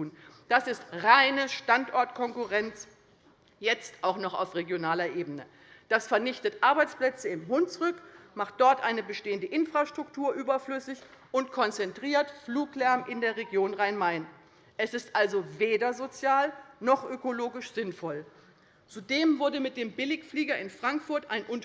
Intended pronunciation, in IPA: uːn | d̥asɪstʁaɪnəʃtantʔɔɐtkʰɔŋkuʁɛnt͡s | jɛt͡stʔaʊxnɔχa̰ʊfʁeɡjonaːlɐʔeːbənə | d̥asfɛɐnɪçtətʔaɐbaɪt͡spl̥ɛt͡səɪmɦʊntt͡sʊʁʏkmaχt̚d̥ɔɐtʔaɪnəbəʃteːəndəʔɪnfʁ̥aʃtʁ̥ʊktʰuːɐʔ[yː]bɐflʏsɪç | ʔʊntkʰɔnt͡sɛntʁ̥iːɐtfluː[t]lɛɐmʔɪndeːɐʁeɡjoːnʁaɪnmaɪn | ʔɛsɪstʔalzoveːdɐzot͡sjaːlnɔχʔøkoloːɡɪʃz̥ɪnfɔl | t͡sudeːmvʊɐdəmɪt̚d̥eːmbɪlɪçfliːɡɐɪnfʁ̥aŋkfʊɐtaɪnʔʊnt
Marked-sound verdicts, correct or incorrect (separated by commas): correct, incorrect